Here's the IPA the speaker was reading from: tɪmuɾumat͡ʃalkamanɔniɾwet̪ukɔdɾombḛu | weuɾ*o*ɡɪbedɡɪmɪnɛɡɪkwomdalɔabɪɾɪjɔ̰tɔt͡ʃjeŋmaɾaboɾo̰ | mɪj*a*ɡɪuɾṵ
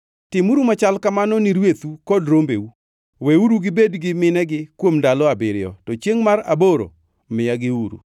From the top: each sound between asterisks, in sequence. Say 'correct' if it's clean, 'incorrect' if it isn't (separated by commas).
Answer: incorrect, correct